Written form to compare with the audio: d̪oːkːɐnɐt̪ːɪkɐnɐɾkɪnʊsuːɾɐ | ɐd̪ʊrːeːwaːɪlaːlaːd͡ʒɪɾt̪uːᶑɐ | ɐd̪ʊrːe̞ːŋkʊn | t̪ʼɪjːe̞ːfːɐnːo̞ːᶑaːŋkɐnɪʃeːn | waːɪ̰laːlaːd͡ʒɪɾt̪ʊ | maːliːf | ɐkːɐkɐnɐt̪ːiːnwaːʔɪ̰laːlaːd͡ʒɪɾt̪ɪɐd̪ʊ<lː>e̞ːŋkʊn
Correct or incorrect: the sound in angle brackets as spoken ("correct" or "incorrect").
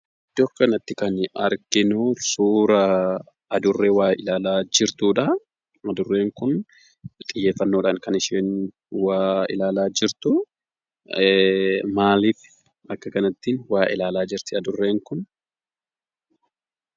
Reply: incorrect